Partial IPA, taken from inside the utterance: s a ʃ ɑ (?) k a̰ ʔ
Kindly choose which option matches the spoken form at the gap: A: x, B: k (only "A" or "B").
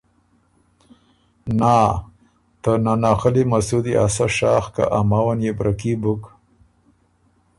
A